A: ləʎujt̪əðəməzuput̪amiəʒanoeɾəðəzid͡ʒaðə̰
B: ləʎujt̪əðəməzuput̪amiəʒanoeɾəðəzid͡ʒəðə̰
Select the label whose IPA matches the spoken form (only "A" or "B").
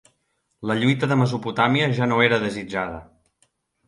A